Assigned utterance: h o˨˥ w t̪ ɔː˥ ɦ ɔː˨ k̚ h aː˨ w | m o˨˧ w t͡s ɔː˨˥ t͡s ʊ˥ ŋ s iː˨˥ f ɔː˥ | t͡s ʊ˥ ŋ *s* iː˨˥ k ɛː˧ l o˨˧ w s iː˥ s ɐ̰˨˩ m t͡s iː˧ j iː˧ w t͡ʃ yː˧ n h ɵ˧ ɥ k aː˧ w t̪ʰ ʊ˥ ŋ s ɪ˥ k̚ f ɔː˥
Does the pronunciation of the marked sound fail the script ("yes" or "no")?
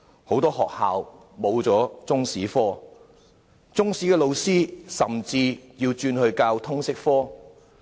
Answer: no